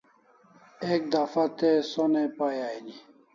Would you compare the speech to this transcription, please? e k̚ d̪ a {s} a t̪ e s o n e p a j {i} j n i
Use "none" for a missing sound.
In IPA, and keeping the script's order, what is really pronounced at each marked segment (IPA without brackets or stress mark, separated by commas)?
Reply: f, a